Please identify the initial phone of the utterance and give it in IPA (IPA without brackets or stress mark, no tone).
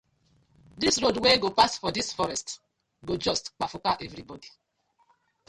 d